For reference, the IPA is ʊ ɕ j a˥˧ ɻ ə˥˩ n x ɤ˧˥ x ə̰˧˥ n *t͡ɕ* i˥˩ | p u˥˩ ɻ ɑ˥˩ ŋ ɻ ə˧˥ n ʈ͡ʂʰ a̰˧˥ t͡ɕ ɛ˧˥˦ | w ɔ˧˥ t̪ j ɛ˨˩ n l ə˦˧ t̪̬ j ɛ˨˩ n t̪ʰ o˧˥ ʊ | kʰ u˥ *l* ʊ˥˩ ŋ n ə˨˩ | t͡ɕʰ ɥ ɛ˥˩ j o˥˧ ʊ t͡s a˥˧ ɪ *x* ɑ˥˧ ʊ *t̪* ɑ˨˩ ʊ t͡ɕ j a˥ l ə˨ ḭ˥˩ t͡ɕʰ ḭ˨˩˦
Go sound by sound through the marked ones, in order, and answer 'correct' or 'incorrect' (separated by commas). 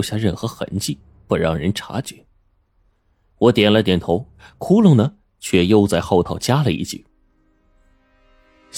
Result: correct, correct, correct, incorrect